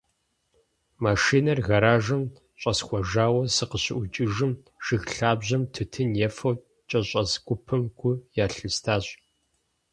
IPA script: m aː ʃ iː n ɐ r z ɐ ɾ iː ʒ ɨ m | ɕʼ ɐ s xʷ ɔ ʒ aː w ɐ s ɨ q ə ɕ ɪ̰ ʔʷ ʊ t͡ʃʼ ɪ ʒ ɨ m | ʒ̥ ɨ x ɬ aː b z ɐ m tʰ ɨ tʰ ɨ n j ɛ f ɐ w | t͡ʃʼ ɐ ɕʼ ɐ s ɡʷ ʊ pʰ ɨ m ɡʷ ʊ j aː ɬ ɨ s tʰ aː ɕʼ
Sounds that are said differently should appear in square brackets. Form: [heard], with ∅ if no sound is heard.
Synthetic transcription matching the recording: m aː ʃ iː n ɐ r [ɣ] ɐ ɾ [aː] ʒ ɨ m | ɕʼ ɐ s xʷ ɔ ʒ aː w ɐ s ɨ q ə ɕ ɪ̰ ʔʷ ʊ t͡ʃʼ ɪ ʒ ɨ m | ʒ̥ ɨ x ɬ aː b [ʑ] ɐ m tʰ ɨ tʰ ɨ n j ɛ f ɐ w | t͡ʃʼ ɐ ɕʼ ɐ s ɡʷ ʊ pʰ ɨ m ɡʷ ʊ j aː ɬ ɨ s tʰ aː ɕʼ